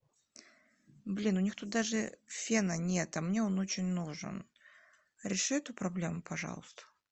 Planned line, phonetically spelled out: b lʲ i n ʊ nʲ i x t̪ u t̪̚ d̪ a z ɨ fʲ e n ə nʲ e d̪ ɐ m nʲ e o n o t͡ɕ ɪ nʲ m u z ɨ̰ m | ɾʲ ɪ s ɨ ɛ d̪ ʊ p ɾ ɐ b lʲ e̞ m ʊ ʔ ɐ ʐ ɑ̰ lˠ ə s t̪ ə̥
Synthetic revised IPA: b lʲ i n ʊ nʲ i x t̪ u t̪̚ d̪ a ʐ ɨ fʲ e n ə nʲ e t̪ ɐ m nʲ e o n o t͡ɕ ɪ nʲ n u ʐ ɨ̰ n | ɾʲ ɪ ʂ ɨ ɛ t̪ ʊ p ɾ ɐ b lʲ e̞ m ʊ p ɐ ʐ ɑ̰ lˠ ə s t̪ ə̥